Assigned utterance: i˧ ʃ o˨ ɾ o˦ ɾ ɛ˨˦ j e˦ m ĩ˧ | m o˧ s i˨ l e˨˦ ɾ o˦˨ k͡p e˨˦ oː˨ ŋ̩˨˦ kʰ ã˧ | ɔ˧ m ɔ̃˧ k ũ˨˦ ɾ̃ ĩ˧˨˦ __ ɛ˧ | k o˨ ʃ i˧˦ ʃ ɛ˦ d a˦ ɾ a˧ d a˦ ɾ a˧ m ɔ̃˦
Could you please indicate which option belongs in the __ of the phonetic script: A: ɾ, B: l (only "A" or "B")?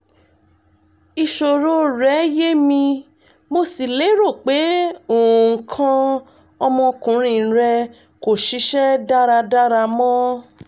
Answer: A